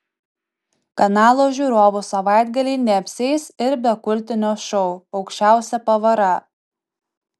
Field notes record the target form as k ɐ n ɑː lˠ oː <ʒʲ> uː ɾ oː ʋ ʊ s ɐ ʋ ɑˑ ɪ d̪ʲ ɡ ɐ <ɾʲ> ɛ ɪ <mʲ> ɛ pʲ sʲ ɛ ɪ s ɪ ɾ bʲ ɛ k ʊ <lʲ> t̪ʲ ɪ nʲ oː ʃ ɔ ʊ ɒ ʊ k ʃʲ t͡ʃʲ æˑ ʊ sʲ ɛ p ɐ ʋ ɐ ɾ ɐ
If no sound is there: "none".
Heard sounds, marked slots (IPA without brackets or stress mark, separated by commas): ʒʲ, lʲ, nʲ, lʲ